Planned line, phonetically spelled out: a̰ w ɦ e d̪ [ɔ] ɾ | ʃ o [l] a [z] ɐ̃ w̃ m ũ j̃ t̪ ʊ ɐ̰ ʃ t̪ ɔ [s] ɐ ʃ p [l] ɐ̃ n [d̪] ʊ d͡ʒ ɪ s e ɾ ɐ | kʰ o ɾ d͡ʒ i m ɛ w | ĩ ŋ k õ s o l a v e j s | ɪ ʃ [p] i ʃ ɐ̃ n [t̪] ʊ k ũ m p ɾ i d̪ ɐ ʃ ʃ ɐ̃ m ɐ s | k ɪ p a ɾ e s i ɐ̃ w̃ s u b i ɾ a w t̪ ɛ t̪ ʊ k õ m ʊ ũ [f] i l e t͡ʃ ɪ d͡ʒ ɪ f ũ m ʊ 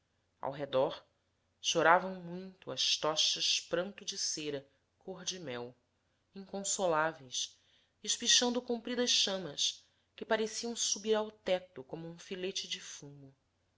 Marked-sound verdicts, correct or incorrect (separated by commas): correct, incorrect, incorrect, incorrect, incorrect, incorrect, correct, incorrect, correct